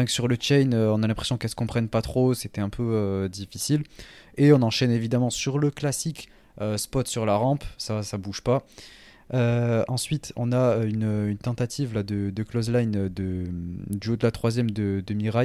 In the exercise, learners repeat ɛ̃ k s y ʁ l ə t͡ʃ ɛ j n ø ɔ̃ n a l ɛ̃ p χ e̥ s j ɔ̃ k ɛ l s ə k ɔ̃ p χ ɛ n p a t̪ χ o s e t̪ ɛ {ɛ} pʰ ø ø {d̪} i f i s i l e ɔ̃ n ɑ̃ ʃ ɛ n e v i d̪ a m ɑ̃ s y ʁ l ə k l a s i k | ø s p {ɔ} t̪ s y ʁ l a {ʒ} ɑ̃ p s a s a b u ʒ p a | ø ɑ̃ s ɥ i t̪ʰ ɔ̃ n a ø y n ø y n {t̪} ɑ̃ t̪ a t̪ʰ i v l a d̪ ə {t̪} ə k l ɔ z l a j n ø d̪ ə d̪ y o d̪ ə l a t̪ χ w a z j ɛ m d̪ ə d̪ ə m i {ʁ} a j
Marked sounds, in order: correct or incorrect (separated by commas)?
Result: incorrect, correct, correct, incorrect, correct, incorrect, correct